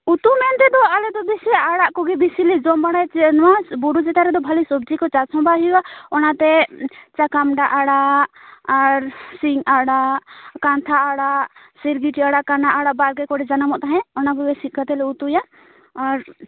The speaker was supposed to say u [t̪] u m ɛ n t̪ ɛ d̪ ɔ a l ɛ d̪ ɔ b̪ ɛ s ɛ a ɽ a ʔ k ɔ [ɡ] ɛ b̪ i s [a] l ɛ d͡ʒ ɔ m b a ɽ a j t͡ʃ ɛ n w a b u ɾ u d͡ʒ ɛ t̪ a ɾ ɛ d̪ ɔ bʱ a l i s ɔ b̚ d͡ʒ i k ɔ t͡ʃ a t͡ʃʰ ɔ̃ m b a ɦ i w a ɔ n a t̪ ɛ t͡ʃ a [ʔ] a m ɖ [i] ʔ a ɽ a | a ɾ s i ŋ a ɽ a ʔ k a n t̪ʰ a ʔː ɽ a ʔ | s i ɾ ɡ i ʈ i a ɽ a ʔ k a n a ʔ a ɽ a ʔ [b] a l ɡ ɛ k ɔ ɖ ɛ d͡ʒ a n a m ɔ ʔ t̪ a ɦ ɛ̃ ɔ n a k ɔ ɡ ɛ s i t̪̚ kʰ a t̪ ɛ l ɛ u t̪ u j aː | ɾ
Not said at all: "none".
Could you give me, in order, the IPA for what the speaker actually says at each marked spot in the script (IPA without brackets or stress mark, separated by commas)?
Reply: t̪, ɡ, i, k, a, b